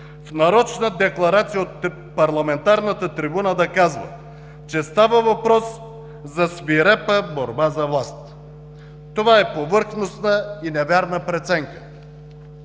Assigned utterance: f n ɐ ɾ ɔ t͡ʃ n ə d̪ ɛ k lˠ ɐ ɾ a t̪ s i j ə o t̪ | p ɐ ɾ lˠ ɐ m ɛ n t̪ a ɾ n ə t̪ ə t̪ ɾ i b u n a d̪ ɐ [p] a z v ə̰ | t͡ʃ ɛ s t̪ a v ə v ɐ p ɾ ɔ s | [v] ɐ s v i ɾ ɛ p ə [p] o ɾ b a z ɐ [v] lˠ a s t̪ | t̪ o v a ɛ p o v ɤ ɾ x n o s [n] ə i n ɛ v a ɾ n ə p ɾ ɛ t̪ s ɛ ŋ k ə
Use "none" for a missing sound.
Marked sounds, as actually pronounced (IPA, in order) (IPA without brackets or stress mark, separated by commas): k, z, b, v, n